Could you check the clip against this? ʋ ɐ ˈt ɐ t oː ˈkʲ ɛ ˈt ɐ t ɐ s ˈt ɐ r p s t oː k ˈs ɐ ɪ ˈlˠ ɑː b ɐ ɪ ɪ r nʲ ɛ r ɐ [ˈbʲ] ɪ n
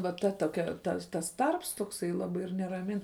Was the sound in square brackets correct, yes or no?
no